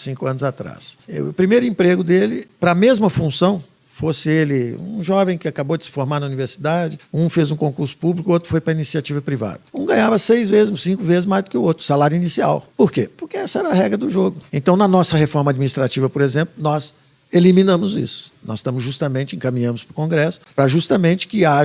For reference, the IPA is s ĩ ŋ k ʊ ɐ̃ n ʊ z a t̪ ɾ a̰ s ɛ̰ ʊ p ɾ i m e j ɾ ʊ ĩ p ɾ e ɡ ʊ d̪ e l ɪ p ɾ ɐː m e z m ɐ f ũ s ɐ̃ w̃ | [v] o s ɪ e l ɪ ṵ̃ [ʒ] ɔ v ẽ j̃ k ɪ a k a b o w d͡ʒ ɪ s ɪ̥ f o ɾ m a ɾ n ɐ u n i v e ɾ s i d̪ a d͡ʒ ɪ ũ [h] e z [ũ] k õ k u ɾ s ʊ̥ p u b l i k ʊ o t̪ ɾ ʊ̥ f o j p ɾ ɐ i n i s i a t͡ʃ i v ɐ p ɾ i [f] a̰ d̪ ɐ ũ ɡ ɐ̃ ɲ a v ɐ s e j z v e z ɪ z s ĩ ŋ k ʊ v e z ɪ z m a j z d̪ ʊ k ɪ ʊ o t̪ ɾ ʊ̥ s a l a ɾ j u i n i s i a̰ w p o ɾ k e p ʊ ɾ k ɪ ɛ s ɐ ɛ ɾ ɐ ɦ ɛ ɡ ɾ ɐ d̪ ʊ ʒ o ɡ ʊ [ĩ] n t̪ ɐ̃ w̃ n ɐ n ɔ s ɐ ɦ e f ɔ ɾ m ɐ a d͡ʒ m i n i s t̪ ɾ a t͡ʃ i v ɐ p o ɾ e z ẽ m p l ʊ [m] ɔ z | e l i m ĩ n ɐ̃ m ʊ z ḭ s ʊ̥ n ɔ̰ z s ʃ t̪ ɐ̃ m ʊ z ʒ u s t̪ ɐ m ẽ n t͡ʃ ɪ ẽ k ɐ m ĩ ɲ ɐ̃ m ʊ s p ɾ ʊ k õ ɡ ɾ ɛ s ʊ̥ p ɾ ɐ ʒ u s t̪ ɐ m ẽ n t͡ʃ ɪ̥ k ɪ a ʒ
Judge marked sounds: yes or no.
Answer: no, yes, no, yes, no, no, no

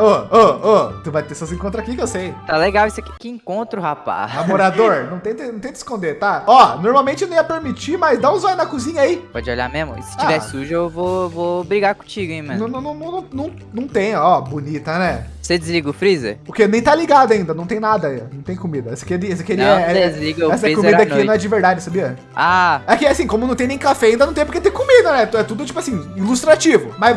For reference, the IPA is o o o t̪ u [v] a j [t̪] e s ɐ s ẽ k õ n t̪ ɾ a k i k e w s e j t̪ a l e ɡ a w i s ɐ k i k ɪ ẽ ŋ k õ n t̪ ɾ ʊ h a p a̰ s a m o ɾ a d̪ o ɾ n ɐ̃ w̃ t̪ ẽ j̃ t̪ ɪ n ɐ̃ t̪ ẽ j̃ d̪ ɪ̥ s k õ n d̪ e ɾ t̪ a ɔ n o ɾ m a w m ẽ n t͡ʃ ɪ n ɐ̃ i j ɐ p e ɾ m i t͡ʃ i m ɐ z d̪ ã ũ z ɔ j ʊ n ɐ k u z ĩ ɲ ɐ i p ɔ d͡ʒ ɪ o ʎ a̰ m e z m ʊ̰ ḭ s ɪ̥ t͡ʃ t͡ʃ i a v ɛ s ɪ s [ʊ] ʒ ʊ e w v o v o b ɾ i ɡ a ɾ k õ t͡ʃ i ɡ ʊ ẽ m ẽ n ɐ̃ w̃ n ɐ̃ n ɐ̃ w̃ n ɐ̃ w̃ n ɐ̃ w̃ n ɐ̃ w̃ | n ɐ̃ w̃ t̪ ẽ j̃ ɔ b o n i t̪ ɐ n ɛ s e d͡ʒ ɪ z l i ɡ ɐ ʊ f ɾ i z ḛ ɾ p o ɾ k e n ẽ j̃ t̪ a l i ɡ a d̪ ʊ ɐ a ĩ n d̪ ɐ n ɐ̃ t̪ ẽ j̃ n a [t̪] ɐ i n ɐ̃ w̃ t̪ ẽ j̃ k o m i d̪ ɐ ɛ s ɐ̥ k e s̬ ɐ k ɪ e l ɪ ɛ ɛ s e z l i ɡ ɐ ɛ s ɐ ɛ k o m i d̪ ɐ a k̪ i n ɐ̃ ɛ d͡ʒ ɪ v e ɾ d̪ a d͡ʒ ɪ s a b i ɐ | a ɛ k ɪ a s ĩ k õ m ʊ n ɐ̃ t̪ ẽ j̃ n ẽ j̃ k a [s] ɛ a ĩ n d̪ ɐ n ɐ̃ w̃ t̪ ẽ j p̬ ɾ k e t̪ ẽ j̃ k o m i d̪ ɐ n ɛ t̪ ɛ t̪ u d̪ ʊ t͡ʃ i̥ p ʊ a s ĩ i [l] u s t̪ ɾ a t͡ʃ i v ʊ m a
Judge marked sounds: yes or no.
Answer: yes, yes, no, no, no, yes

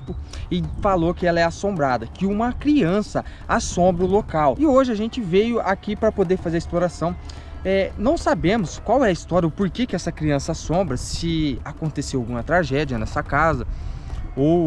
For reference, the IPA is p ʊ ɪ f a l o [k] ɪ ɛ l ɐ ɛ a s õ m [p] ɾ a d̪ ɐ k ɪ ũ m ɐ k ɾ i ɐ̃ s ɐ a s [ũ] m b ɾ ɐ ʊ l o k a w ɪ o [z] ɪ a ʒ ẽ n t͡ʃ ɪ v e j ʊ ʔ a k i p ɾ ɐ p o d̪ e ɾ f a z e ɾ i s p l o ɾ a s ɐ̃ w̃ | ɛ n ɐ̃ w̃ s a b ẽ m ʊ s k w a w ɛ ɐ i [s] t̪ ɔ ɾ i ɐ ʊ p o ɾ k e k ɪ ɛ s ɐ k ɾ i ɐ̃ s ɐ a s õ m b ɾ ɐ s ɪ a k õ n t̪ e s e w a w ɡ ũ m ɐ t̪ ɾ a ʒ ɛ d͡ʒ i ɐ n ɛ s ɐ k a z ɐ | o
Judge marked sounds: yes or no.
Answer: yes, no, no, no, yes

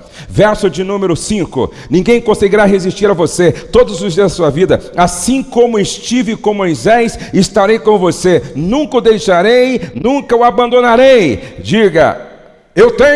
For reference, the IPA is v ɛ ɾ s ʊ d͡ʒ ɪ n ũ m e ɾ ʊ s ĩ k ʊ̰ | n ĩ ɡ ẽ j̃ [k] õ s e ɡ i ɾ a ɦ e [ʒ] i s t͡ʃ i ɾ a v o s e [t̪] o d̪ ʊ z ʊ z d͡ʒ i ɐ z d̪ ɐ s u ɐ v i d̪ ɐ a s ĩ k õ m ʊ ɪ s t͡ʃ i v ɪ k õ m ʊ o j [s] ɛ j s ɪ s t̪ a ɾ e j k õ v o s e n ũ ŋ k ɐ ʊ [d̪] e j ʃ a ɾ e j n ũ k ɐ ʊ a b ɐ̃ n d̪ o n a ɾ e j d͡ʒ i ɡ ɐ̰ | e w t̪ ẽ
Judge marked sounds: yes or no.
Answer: yes, no, yes, no, yes

